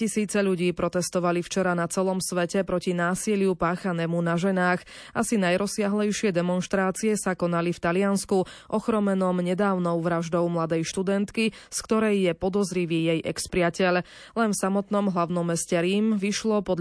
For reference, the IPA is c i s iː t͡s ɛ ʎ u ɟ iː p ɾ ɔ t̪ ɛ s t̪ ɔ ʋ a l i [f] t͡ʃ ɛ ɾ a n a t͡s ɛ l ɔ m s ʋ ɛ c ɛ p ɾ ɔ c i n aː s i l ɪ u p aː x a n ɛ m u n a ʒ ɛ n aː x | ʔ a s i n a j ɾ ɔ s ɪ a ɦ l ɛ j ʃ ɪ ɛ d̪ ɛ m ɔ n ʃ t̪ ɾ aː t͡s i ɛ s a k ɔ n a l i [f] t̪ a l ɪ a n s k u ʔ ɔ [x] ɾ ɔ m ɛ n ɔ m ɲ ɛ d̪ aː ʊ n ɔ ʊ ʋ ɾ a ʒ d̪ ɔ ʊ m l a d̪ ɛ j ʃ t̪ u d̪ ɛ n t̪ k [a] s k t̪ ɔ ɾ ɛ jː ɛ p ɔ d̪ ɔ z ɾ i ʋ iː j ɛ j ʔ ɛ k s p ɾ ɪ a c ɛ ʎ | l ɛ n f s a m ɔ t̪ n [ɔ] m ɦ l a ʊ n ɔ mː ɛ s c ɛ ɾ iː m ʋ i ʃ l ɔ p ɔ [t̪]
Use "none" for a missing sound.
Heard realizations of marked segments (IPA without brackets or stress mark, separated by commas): f, f, x, i, ɔ, d̪